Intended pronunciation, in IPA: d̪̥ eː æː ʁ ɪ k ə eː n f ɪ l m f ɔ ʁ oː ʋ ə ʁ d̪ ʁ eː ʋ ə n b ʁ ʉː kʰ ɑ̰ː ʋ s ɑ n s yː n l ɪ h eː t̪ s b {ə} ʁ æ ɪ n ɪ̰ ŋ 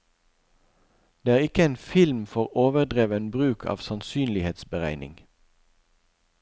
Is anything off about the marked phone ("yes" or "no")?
no